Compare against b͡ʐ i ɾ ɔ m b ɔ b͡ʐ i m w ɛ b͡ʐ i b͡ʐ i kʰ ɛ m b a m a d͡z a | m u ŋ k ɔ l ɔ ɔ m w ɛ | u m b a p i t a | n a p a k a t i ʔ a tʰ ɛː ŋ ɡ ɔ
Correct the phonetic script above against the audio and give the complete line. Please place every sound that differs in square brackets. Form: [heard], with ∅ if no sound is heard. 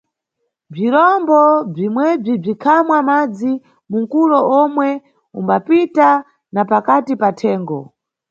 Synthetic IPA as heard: b͡ʐ i ɾ ɔ m b ɔ b͡ʐ i m w ɛ b͡ʐ i b͡ʐ i kʰ [a] m [w] a m a d͡z [i] | m u ŋ k [u] l ɔ ɔ m w ɛ | u m b a p i t a | n a p a k a t i [p] a tʰ ɛː ŋ ɡ ɔ